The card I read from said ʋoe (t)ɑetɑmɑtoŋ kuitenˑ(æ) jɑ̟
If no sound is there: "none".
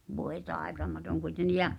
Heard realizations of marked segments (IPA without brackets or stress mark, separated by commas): t, i